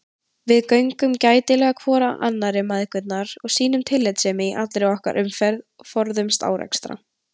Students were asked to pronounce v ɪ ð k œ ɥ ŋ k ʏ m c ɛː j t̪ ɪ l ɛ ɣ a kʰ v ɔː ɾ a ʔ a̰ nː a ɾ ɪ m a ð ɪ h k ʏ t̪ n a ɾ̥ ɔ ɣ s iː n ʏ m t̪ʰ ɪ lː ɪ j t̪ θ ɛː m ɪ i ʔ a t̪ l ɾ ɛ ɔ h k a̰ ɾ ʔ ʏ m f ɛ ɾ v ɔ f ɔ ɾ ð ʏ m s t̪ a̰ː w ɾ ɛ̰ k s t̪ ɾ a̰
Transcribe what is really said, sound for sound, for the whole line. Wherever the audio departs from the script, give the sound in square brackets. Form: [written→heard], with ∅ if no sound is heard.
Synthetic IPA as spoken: v ɪ ð k œ ɥ ŋ k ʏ m c [ɛː→aː] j t̪ ɪ l ɛ ɣ a kʰ v ɔː ɾ a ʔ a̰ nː a ɾ ɪ m a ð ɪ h k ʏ t̪ n a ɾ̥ ɔ ɣ s iː n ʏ m t̪ʰ ɪ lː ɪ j t̪ [θ→s] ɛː m ɪ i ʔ a t̪ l ɾ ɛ ɔ h k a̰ ɾ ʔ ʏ m f ɛ ɾ [v→ð] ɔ f ɔ ɾ ð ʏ m s t̪ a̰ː w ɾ ɛ̰ k s t̪ ɾ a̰